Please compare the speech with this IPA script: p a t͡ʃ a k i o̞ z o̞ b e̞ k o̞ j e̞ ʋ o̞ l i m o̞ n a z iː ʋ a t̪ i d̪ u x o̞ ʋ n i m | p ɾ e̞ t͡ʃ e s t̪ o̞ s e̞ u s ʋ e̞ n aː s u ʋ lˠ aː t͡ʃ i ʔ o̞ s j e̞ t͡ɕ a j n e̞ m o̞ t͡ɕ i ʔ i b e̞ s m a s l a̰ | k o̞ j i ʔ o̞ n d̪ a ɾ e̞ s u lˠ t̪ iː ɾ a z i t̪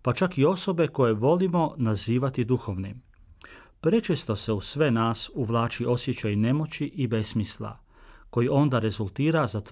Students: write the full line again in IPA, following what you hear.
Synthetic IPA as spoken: p a t͡ʃ a k i o̞ s o̞ b e̞ k o̞ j e̞ ʋ o̞ l i m o̞ n a z iː ʋ a t̪ i d̪ u x o̞ ʋ n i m | p ɾ e̞ t͡ʃ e s t̪ o̞ s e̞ u s ʋ e̞ n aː s u ʋ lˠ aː t͡ʃ i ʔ o̞ s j e̞ t͡ɕ a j n e̞ m o̞ t͡ɕ i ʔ i b e̞ s m i s l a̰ | k o̞ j i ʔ o̞ n d̪ a ɾ e̞ z u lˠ t̪ iː ɾ a z a t̪